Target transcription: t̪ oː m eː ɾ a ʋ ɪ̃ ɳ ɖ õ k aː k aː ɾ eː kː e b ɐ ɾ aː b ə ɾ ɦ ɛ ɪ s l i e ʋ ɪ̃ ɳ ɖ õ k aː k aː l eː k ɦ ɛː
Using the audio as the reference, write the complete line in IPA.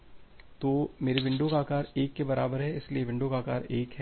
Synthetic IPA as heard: t̪ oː m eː ɾ e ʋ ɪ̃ ɳ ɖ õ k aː k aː ɾ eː kː e b ɐ ɾ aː b ə ɾ ɦ ɛ ɪ s l i e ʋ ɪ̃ ɳ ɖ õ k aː k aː ɾ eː k ɦ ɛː